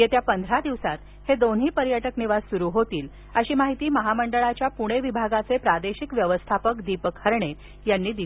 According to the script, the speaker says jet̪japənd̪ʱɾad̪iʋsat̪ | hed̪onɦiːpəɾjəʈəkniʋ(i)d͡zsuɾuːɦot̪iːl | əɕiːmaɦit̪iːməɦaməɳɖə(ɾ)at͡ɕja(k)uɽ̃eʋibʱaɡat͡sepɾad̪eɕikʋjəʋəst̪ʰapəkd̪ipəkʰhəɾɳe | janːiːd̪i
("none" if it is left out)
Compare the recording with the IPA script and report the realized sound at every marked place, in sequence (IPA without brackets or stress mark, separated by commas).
a, ɭ, p